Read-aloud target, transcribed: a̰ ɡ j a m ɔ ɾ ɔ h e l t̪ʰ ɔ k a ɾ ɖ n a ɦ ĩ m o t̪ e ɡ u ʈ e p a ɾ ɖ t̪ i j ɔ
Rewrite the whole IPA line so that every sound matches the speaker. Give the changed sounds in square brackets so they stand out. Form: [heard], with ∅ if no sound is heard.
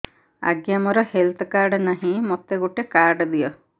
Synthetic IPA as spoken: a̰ ɡ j a m ɔ ɾ ɔ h e l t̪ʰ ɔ k a ɾ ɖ n a ɦ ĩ m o t̪ e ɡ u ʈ e [k] a ɾ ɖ [d̪] i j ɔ